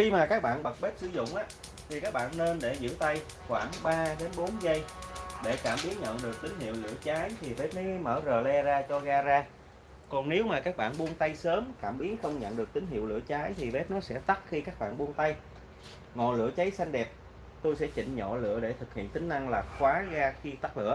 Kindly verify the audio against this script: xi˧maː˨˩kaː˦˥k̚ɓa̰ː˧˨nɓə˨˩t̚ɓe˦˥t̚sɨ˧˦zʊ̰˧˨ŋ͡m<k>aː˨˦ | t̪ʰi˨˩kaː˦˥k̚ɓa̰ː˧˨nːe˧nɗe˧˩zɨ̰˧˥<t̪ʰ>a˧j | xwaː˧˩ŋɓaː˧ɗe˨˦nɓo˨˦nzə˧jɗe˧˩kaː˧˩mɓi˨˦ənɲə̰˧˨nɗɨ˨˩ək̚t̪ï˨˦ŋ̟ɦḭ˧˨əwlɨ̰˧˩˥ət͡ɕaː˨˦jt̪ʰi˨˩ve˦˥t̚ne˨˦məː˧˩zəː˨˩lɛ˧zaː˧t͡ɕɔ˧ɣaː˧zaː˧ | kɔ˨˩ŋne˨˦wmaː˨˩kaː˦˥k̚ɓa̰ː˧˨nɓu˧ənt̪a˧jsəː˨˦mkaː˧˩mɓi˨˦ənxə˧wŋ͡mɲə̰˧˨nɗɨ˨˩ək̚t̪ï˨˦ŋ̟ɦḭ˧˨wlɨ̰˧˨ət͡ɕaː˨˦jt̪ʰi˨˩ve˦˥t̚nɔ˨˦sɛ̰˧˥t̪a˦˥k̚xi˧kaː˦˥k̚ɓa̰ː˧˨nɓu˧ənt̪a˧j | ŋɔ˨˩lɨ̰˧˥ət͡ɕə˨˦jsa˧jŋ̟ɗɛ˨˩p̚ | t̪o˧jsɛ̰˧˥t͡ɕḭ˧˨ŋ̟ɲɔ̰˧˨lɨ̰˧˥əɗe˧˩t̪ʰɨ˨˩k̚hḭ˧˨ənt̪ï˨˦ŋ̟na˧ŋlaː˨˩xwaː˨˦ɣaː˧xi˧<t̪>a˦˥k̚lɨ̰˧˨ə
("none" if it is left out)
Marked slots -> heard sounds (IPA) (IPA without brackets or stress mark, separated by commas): ʔ, t̪, t̪